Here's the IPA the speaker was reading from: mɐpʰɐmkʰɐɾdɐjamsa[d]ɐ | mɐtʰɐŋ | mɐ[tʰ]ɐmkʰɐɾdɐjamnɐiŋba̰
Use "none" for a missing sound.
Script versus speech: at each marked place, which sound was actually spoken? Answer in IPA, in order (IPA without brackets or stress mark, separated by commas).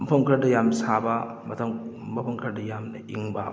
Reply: b, pʰ